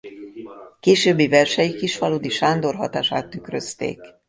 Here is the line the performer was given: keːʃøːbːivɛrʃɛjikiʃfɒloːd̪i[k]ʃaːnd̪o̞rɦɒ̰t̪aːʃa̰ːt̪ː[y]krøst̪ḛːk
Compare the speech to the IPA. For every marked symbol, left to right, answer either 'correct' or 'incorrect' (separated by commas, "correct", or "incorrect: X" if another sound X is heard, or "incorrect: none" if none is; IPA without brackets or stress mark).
incorrect: none, correct